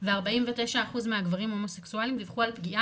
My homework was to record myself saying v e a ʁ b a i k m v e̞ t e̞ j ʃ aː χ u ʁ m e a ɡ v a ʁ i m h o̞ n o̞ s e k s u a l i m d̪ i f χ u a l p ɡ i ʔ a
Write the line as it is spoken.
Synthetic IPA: v e a ʁ b a i m v e̞ t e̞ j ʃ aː χ u z m e a ɡ v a ʁ i m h o̞ m o̞ s e k s u a l i m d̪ i v χ u a l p ɡ i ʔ a